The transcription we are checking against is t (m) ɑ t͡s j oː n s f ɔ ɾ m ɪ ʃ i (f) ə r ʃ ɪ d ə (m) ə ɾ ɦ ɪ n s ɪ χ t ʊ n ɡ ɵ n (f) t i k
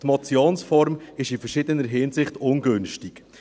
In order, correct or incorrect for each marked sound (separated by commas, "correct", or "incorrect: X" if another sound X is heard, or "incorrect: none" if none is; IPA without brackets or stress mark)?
correct, correct, incorrect: n, incorrect: ʃ